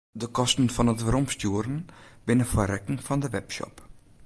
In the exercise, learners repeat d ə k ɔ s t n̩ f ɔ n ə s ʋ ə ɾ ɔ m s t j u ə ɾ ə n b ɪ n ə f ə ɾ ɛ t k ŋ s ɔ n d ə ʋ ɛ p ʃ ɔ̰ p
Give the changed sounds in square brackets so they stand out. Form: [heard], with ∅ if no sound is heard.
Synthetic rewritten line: d ə k ɔ s t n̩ f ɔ n ə [t] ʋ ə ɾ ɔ m s t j u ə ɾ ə n b ɪ n ə f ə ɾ ɛ [∅] k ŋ [f] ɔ n d ə ʋ ɛ p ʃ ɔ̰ p